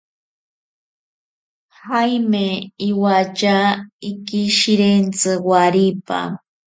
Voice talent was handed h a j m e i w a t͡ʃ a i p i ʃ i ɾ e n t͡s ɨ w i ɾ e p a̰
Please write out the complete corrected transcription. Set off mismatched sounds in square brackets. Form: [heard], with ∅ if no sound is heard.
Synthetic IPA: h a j m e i w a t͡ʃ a i [k] i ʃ i ɾ e n t͡s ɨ w [a] ɾ [i] p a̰